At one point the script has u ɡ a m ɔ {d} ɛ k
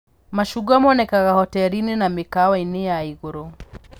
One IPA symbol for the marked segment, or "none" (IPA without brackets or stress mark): n